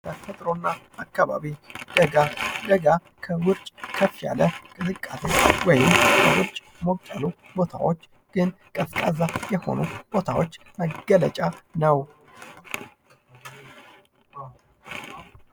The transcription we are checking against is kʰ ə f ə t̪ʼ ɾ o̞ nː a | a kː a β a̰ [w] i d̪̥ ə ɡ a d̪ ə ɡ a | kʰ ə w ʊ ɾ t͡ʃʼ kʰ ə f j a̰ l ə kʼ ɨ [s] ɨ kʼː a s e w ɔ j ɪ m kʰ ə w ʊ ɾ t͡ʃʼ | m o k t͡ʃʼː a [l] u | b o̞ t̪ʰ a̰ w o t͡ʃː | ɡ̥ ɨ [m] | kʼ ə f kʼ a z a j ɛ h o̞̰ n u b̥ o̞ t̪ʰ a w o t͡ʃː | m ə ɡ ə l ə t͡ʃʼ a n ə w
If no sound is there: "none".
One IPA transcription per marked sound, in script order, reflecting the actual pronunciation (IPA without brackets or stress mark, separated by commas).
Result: β, z, l, n